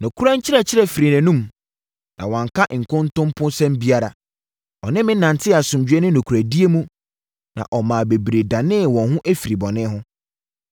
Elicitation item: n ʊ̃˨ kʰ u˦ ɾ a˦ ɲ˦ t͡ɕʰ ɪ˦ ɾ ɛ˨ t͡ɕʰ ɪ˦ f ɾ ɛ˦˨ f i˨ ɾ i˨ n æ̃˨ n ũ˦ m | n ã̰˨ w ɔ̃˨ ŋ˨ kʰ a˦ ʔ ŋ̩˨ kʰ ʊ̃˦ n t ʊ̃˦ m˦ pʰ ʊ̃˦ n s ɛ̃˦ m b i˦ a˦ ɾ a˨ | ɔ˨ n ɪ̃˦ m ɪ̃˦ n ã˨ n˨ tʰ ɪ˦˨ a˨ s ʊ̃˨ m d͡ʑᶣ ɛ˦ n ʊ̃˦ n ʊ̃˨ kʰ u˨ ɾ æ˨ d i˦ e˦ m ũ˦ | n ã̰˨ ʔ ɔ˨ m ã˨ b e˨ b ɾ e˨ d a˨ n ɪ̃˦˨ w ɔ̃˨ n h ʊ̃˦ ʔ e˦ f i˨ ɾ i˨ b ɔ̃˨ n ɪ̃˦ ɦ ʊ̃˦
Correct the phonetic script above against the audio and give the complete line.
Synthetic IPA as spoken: n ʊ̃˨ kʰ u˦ ɾ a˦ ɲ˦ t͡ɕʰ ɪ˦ ɾ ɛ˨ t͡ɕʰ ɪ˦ ɾ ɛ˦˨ f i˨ ɾ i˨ n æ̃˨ n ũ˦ m | n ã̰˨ w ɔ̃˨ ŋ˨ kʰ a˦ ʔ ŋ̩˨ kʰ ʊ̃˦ n t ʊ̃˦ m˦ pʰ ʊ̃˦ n s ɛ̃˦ m b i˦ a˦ ɾ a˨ | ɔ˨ n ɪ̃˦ m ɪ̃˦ n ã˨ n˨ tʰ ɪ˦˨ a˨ s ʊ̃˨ m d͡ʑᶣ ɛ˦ n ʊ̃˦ n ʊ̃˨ kʰ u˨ ɾ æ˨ d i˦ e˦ m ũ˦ | n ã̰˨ ʔ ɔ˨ m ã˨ b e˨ b ɾ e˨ d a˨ n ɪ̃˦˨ w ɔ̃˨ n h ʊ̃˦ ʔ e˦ f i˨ ɾ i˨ b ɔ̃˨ n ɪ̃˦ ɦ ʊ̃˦